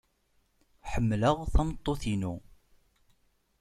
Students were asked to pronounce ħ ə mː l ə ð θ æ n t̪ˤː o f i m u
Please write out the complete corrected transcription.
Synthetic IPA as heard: ħ ə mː l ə ʁ θ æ m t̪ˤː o θ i n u